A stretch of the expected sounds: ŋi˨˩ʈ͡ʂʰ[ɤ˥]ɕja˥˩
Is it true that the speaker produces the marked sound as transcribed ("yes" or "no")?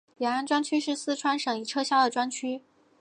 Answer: yes